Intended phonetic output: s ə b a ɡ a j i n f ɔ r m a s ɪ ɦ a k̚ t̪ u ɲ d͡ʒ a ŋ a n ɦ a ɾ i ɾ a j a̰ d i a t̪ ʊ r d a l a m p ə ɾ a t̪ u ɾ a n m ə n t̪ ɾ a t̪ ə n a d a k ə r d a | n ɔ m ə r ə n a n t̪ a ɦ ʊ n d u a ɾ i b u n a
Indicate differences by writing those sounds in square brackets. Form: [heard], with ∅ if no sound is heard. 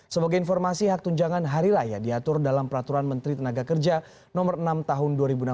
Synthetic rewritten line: s ə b a ɡ a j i n f ɔ r m a s [i] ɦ a k̚ t̪ u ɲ d͡ʒ a ŋ a n ɦ a ɾ i ɾ a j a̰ d i a t̪ ʊ r d a l a m p ə ɾ a t̪ u ɾ a n m ə n t̪ ɾ [i] t̪ ə n a [ɡ] a k ə r [d͡ʒ] a | n ɔ m ə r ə n a [m] t̪ a ɦ ʊ n d u a ɾ i b u n a